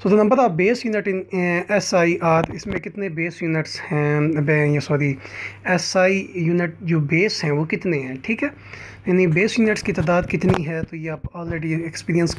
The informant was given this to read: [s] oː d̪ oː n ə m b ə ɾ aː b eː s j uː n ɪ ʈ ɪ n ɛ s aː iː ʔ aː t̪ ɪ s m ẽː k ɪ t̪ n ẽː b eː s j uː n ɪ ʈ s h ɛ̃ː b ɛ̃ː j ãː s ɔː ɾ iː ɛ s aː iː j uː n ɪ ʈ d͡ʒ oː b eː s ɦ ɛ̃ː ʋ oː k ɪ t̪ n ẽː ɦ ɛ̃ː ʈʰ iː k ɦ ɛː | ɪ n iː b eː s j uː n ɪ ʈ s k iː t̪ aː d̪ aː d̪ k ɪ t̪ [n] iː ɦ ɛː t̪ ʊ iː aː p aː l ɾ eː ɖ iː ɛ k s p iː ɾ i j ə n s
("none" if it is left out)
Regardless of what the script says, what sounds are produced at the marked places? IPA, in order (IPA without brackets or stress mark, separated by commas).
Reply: s, n